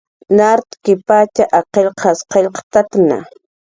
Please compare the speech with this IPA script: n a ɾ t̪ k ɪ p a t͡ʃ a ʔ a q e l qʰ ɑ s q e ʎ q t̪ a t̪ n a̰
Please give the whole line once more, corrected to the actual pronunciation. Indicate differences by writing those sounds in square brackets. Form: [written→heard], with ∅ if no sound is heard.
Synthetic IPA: n a ɾ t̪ k ɪ p a t͡ʃ a ʔ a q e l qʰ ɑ s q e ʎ q t̪ a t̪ n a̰